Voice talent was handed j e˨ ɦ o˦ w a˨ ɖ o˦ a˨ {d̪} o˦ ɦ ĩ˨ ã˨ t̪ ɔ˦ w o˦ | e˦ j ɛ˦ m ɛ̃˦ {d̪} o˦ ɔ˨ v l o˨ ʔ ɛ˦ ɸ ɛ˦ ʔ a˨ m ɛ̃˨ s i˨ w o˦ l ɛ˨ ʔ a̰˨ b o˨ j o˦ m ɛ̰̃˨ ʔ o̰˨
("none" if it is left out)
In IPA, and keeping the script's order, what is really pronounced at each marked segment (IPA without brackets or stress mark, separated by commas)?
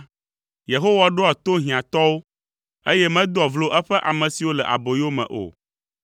t̪, d̪